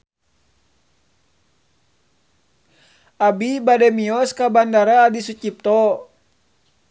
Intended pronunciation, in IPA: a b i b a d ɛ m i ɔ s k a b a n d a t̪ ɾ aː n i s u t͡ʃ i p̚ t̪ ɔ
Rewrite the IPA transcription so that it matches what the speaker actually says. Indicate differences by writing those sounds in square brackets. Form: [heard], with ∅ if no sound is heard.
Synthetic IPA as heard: a b i b a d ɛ m i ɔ s k a b a n d a [∅] ɾ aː [d] i s u t͡ʃ i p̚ t̪ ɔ